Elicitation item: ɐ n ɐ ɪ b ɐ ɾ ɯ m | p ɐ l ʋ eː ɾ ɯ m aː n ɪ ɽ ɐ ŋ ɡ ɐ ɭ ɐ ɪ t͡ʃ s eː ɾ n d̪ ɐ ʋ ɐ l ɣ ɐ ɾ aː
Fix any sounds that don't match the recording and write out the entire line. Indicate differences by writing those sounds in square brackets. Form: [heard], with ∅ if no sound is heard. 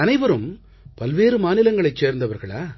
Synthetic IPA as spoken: ɐ n ɐ ɪ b ɐ ɾ ɯ m | p ɐ l ʋ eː ɾ ɯ m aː n ɪ [l] ɐ ŋ ɡ ɐ ɭ ɐ ɪ t͡ʃ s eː ɾ n d̪ ɐ ʋ ɐ [ɾ] ɣ ɐ [ɭ] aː